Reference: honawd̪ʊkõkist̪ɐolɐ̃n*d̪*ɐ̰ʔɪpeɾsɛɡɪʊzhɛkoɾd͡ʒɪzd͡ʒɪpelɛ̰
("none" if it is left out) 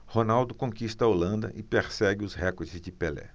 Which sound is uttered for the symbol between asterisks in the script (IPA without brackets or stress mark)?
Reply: d̪